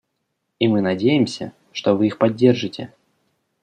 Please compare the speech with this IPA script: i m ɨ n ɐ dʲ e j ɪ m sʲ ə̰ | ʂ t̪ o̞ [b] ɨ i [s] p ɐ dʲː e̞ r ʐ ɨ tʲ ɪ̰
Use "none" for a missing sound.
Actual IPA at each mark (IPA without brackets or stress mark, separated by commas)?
v, x